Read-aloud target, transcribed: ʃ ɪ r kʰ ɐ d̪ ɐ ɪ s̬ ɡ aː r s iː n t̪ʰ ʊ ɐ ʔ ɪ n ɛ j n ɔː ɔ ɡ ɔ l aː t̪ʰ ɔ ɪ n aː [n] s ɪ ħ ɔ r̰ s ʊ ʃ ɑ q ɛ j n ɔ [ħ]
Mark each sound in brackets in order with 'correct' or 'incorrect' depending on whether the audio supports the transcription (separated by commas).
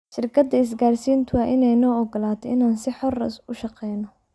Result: correct, incorrect